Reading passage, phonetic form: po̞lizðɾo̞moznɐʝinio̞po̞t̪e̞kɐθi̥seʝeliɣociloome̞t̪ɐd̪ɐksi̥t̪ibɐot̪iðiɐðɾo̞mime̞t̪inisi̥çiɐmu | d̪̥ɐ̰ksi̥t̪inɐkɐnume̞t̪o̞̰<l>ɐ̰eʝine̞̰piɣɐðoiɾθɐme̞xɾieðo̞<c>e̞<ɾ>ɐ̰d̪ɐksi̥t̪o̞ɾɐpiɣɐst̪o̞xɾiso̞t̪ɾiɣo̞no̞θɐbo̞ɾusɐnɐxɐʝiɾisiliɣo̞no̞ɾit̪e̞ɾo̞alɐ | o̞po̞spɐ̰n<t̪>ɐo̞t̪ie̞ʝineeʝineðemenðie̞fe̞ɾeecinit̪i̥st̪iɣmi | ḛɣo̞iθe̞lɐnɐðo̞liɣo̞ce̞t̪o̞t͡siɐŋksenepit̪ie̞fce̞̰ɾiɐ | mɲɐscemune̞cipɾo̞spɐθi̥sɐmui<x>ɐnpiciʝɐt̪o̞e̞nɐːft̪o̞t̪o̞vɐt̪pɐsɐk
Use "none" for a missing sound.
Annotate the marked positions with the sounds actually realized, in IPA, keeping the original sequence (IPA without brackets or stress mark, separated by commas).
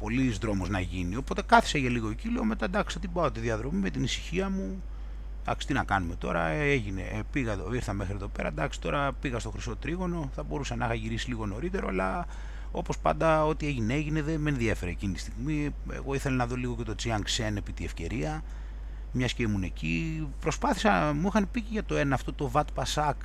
ɾ, p, ɾ, d̪, x